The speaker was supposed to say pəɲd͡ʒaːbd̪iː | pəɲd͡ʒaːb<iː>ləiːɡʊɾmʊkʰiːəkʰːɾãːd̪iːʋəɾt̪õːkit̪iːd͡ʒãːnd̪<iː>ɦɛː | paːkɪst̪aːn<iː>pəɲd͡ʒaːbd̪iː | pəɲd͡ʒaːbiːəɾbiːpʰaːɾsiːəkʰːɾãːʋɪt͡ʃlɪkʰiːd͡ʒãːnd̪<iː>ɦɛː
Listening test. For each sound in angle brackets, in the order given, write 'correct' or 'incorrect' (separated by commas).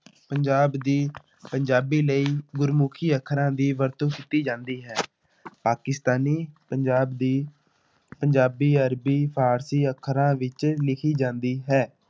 correct, correct, correct, correct